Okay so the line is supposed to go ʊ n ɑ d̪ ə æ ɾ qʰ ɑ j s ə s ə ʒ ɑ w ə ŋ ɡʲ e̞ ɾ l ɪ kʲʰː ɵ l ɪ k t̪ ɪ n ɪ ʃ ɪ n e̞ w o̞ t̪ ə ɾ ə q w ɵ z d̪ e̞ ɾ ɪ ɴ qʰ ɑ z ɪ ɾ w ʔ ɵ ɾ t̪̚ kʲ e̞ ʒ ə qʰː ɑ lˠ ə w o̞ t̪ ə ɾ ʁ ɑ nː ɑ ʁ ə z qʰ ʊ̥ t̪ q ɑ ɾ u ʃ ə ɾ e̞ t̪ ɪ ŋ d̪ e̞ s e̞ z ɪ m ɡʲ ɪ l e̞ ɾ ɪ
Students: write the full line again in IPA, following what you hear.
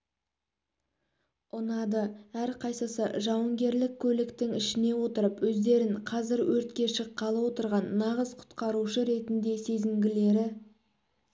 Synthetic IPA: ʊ n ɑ d̪ ə æ ɾ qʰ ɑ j s ə s ə ʒ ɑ w ə ŋ ɡʲ e̞ ɾ l ɪ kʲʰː ɵ l ɪ k t̪ ɪ ŋ ɪ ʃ ɪ n e̞ w o̞ t̪ ə ɾ ə p w ɵ z d̪ e̞ ɾ ɪ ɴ qʰ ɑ z ɪ ɾ w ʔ ɵ ɾ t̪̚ kʲ e̞ ʃ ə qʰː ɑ lˠ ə w o̞ t̪ ə ɾ ʁ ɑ nː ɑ ʁ ə z qʰ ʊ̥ t̪ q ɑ ɾ u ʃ ə ɾ e̞ t̪ ɪ n d̪ e̞ s e̞ z ɪ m ɡʲ ɪ l e̞ ɾ ɪ